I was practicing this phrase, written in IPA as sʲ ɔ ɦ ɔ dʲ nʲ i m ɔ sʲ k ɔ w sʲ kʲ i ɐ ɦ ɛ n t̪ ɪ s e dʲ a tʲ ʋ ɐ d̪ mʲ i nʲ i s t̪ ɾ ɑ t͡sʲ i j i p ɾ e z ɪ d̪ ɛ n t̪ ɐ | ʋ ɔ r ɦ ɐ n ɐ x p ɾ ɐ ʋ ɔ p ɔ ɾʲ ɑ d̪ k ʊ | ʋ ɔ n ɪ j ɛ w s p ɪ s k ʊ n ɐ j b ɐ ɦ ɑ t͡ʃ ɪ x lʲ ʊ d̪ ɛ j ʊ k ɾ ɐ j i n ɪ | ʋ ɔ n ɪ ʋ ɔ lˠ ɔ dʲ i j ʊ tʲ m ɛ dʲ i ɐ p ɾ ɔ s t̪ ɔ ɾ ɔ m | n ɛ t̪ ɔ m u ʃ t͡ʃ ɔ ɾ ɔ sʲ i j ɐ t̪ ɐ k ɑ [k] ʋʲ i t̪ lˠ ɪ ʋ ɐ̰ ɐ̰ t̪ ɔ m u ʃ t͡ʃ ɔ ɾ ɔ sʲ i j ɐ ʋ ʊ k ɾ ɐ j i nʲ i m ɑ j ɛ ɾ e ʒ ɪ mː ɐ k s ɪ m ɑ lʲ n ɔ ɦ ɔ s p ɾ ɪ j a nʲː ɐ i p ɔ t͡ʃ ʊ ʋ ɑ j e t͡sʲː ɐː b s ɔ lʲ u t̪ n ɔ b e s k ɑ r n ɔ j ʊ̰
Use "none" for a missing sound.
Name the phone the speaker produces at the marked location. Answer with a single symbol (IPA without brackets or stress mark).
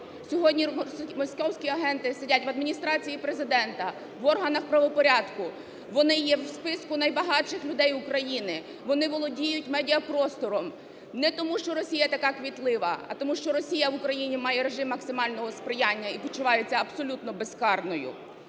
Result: k